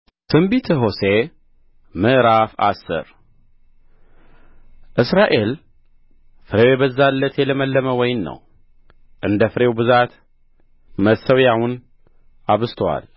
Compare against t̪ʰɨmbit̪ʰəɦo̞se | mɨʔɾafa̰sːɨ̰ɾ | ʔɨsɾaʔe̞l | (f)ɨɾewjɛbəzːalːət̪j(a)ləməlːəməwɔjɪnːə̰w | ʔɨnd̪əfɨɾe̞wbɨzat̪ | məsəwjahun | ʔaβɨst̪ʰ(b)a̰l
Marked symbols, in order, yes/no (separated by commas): yes, no, no